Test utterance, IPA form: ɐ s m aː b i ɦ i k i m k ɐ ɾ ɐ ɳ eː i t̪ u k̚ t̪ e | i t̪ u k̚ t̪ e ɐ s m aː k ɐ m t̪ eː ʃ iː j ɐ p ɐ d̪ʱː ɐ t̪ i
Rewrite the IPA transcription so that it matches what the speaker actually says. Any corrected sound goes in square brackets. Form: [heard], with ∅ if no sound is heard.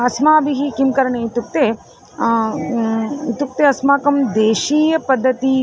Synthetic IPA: ɐ s m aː b i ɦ i k i m k ɐ ɾ ɐ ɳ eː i t̪ u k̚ t̪ e | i t̪ u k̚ t̪ e ɐ s m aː k ɐ m [d̪] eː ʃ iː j ɐ p ɐ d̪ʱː ɐ t̪ i